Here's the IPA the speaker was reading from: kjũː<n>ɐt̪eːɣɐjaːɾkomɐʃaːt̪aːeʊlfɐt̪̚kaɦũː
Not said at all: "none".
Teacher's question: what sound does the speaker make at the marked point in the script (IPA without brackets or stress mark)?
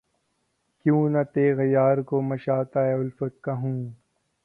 n